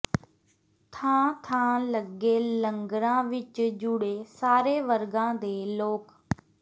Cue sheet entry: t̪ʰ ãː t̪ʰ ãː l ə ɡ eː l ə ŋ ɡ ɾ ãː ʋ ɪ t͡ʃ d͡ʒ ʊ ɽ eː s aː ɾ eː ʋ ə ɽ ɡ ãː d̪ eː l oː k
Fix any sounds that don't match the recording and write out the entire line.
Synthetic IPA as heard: t̪ʰ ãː t̪ʰ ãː l ə ɡ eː l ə ŋ ɡ ɾ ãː ʋ ɪ t͡ʃ d͡ʒ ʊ ɽ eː s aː ɾ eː ʋ ə ɾ ɡ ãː d̪ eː l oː k